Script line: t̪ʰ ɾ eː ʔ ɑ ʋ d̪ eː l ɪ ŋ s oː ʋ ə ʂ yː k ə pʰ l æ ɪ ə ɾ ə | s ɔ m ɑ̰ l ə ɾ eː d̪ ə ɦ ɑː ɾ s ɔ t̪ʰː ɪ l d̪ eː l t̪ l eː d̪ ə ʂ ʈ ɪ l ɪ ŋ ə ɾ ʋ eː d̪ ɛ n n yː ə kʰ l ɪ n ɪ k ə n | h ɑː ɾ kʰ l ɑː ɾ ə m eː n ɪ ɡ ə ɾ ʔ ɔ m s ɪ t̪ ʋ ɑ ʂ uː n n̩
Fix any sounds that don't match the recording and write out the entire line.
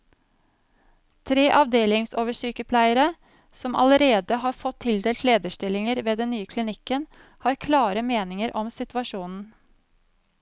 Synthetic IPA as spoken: t̪ʰ ɾ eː ʔ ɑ ʋ d̪ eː l ɪ ŋ s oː ʋ ə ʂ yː k ə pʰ l æ ɪ ə ɾ ə | s ɔ m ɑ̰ l ə ɾ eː d̪ ə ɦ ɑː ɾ f ɔ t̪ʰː ɪ l d̪ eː l t̪ l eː d̪ ə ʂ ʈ ɪ l ɪ ŋ ə ɾ ʋ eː d̪ ɛ n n yː ə kʰ l ɪ n ɪ k ə n | h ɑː ɾ kʰ l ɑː ɾ ə m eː n ɪ ŋ ə ɾ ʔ ɔ m s ɪ t̪ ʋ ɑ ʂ uː n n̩